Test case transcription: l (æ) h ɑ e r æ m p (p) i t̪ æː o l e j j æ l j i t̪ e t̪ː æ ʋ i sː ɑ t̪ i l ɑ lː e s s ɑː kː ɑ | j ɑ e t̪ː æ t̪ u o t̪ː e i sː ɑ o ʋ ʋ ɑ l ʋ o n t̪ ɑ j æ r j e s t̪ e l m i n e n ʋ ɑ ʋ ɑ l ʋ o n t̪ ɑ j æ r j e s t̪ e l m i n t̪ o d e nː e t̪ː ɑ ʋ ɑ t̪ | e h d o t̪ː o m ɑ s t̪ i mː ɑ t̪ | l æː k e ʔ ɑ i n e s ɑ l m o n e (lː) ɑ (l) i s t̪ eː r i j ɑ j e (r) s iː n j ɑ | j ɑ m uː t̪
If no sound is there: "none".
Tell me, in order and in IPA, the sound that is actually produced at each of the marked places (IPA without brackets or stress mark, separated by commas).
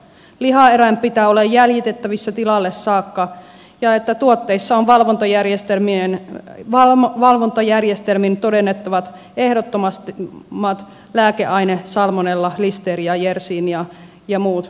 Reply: i, p, lː, l, r